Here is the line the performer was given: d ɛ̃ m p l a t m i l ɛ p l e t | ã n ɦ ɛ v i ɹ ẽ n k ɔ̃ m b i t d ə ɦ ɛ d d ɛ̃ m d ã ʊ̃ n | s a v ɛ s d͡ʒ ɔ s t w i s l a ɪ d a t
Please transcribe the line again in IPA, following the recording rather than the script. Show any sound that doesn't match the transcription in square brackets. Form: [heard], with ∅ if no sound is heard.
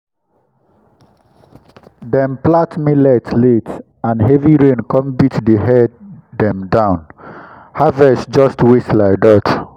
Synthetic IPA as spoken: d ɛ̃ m p l a t m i l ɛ [t] l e t | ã n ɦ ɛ v i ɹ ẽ n k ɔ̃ m b i t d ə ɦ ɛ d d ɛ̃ m d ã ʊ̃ n | [h] a v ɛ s d͡ʒ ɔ s t w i s l a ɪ d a t

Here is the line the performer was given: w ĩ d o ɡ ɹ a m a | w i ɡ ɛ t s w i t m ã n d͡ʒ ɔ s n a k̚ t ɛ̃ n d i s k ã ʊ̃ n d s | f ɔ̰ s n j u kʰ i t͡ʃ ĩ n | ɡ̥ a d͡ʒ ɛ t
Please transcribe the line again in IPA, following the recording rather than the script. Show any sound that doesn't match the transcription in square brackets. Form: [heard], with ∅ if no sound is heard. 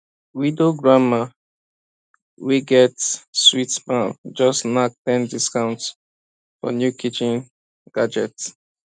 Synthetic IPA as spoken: w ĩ d o ɡ ɹ a m a | w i ɡ ɛ t s w i t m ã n d͡ʒ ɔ s n a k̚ t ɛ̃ n d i s k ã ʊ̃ n [t] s | f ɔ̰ [∅] n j u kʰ i t͡ʃ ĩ n | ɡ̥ a d͡ʒ ɛ t

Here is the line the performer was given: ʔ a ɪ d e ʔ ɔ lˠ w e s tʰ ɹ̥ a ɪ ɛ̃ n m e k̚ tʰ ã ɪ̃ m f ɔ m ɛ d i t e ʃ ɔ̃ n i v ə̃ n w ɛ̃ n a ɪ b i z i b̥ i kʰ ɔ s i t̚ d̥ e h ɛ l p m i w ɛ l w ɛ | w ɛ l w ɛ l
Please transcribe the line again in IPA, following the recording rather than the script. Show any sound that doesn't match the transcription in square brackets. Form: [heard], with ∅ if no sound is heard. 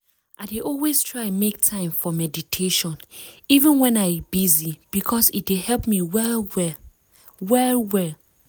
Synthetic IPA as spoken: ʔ a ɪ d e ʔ ɔ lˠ w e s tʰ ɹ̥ a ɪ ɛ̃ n m e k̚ tʰ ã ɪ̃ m f ɔ m ɛ d i [tʰ] e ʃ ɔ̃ n i v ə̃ n w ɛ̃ n a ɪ b i z i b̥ i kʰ ɔ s i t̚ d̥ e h ɛ l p m i w ɛ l w ɛ | w ɛ l w ɛ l

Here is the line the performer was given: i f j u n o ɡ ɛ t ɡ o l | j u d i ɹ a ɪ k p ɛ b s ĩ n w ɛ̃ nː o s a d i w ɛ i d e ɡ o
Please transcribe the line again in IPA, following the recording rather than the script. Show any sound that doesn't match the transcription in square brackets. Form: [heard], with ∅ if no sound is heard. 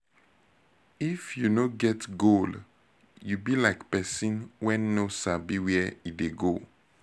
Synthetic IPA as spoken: i f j u n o ɡ ɛ t ɡ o l | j u [b] i [l] a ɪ k p ɛ [∅] s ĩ n w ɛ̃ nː o s a [b] i w ɛ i d e ɡ o

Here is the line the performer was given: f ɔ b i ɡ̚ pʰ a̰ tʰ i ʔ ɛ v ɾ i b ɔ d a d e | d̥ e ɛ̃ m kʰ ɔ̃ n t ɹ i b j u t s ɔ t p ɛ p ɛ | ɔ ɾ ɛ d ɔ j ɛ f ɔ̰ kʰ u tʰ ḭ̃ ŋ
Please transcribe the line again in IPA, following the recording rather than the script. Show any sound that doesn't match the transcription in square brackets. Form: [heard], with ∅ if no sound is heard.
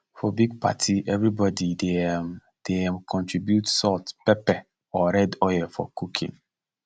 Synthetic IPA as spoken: f ɔ b i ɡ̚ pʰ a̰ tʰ i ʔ ɛ v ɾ i b ɔ d [i] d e | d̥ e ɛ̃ m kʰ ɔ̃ n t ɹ i b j u t s ɔ t p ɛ p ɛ | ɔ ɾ ɛ d ɔ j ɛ f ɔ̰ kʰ u [kʰ] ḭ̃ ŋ

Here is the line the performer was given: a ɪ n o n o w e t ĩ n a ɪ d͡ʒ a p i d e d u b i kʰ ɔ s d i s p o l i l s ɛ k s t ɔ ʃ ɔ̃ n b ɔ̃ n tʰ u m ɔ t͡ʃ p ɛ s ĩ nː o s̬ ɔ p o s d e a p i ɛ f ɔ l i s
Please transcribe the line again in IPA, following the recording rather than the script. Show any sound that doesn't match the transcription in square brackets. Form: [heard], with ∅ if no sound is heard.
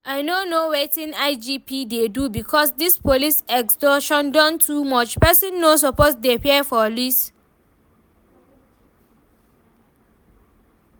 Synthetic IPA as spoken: a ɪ n o n o w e t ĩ n a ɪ d͡ʒ [i] p i d e d u b i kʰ ɔ s d i s p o l i [∅] s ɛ k s t ɔ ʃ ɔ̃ n [d] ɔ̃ n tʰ u m ɔ t͡ʃ p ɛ s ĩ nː o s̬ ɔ p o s d e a p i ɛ f ɔ l i s

